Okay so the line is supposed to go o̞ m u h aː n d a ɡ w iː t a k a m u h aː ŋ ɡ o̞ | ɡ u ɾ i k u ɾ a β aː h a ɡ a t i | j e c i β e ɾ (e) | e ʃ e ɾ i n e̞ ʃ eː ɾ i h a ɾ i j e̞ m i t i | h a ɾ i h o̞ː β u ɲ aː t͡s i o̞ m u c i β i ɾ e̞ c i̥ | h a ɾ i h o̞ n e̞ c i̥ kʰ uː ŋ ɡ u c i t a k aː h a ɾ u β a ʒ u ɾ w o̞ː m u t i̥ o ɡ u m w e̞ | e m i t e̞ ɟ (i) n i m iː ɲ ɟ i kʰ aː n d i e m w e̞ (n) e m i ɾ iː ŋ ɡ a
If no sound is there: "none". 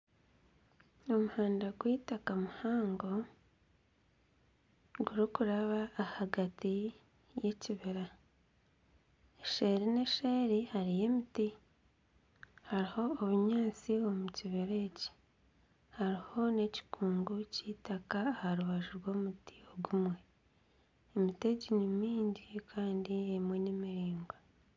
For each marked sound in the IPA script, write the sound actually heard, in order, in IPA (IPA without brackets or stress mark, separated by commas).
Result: a, i, n